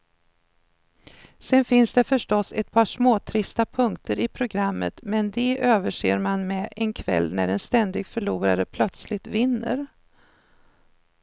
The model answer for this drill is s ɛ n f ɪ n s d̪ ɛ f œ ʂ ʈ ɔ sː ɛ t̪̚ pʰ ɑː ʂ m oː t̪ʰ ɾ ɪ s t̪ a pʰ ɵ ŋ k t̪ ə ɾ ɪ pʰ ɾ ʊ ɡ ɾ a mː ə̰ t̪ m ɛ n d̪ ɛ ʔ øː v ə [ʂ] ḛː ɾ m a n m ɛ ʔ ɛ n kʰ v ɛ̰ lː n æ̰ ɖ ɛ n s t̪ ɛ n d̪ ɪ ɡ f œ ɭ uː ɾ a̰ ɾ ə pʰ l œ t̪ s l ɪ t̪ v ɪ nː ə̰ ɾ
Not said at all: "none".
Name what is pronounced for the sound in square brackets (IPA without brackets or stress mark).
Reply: ʂ